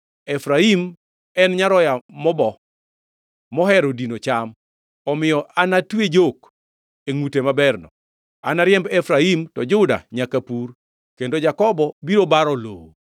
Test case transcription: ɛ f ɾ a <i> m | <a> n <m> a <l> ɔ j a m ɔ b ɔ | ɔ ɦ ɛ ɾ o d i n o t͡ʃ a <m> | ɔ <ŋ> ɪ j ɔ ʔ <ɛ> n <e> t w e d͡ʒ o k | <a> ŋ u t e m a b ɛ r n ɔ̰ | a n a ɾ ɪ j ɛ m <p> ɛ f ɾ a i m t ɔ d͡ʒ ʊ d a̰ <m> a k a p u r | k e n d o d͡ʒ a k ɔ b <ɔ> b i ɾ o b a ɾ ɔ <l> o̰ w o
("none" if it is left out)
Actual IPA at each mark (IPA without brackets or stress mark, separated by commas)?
i, ɛ, ɲ, ɾ, m, m, a, a, e, b, ɲ, ɔ, l